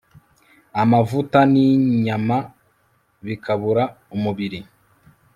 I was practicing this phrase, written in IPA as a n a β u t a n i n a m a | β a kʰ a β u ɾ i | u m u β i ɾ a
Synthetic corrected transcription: a m a v u t a n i ɲ a m a | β i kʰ a β u ɾ a | u m u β i ɾ i